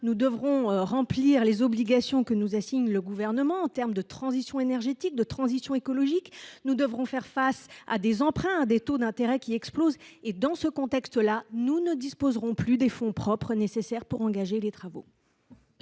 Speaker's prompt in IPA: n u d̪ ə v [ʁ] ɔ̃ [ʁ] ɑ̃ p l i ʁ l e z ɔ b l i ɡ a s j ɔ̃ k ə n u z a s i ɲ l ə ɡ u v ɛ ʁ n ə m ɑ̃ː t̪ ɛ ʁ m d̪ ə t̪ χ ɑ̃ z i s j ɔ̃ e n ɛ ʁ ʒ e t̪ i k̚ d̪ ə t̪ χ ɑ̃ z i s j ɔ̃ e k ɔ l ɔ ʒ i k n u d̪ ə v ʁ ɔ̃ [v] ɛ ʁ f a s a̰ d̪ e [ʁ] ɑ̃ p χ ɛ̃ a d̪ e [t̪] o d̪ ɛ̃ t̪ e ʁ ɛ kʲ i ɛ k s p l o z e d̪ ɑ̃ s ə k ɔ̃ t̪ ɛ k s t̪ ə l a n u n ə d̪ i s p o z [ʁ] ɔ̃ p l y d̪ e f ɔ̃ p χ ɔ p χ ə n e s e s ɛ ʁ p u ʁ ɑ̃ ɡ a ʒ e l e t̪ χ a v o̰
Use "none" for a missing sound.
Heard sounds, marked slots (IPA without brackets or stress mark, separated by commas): ʁ, ʁ, f, z, t̪, ʁ